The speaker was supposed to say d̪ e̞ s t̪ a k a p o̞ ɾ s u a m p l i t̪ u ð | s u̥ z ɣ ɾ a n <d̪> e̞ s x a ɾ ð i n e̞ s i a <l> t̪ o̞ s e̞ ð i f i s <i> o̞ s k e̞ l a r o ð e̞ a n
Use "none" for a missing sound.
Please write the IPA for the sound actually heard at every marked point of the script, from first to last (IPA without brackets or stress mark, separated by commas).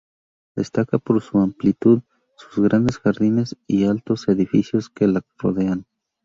d̪, l, j